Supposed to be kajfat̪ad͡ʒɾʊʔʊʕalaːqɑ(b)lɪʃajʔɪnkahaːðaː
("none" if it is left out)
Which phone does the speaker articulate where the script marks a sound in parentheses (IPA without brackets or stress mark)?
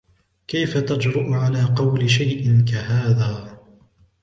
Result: w